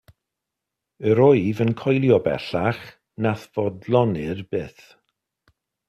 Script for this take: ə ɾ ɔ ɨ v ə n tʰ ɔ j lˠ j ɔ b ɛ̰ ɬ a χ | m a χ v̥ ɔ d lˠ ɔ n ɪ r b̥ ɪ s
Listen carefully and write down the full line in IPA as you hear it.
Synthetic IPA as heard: ə ɾ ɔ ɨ v ə n kʰ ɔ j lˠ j ɔ b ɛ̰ ɬ a χ | n a θ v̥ ɔ d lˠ ɔ n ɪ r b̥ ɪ θ